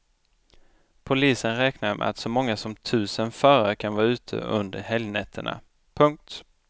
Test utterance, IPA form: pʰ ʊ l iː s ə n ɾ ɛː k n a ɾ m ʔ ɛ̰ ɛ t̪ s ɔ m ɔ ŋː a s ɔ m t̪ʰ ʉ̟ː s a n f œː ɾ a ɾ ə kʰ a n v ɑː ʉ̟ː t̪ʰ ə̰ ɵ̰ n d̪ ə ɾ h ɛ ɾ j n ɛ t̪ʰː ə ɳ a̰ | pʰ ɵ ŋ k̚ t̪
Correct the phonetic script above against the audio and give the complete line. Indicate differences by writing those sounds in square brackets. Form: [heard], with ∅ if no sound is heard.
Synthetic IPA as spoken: pʰ ʊ l iː s ə n ɾ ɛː k n a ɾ m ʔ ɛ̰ [a] t̪ s ɔ m ɔ ŋː a s ɔ m t̪ʰ ʉ̟ː s [ə] n f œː ɾ a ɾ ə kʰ a n v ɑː ʉ̟ː t̪ʰ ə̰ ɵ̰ n d̪ ə ɾ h ɛ [l] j n ɛ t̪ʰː ə ɳ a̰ | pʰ ɵ ŋ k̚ t̪